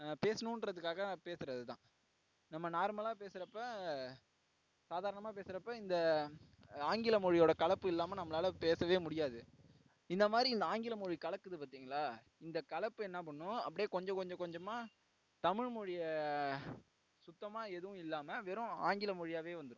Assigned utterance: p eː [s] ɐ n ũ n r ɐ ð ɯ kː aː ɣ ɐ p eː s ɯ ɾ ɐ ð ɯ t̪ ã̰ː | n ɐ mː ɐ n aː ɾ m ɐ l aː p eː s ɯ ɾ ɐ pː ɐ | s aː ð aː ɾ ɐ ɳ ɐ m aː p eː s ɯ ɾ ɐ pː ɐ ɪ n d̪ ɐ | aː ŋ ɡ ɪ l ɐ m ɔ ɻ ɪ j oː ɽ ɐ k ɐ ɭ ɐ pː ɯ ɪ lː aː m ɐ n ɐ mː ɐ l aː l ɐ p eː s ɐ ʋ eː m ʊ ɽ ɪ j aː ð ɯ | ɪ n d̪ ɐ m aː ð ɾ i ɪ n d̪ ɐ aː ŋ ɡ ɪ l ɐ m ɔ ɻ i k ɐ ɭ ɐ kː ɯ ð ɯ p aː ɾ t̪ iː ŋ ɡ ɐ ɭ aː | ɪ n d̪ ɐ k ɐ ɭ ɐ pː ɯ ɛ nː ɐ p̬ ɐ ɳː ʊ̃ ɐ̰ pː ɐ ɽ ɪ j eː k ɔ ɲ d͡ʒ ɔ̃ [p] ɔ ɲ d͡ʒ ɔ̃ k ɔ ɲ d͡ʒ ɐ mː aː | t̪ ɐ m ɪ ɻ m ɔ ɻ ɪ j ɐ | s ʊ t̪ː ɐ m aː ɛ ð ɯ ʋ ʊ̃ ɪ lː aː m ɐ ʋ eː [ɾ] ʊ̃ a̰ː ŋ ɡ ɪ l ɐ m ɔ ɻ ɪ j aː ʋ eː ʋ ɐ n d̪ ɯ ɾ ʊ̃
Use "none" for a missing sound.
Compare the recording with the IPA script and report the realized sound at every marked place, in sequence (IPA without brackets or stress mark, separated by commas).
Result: s, k, ɾ